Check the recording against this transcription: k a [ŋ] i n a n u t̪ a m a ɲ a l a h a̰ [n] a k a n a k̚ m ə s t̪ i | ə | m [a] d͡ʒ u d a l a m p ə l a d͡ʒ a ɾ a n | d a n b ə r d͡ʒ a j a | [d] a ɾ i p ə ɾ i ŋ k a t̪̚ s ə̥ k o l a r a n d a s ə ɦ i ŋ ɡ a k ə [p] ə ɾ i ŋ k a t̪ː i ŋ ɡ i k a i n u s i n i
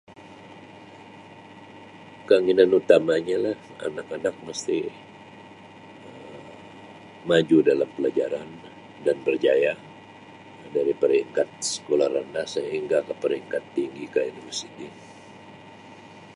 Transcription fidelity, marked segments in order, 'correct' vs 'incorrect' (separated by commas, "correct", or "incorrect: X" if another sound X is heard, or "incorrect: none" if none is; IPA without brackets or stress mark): correct, correct, correct, correct, correct